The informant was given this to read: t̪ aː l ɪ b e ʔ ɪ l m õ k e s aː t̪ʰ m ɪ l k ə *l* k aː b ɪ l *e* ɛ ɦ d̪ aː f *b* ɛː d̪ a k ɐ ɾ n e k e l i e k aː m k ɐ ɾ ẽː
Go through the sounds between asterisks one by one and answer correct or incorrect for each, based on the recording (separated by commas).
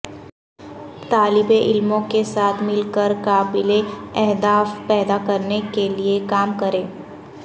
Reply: incorrect, correct, incorrect